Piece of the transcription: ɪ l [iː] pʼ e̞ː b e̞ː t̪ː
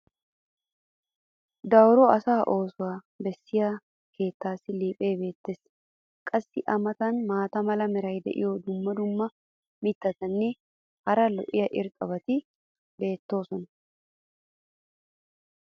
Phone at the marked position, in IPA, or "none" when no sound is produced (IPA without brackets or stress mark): iː